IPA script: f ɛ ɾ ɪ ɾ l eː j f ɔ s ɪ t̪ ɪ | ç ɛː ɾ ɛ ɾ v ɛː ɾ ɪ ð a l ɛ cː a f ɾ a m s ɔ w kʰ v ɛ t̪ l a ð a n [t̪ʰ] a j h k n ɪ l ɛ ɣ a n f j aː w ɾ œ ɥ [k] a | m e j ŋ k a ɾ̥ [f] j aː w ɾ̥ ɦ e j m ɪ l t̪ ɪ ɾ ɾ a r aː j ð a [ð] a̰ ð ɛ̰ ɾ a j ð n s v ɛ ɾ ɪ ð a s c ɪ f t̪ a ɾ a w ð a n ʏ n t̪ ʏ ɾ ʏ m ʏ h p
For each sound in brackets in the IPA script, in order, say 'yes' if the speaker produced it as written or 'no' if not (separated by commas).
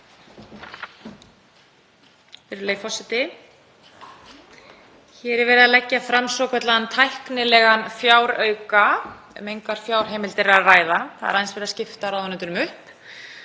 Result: yes, yes, yes, no